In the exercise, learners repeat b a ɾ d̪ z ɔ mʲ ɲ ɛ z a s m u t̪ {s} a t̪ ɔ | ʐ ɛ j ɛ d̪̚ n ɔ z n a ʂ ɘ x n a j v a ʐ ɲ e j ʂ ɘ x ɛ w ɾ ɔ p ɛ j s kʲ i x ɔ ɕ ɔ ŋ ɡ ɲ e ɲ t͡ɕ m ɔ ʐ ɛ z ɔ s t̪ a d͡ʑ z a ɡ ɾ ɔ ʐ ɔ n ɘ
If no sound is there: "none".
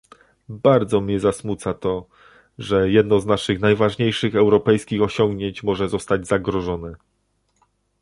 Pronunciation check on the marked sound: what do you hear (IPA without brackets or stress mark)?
s